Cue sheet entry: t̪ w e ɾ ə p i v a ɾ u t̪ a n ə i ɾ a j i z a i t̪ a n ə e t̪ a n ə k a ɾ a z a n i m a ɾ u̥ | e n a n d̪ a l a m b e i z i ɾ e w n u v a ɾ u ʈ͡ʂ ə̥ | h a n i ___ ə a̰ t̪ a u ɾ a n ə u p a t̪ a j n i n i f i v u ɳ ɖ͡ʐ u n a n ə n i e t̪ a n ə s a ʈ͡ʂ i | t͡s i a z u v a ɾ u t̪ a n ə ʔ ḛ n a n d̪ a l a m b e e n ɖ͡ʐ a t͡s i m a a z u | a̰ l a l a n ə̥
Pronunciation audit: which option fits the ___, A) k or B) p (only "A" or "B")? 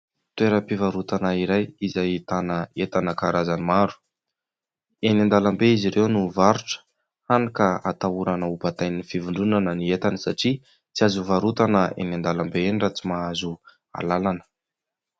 A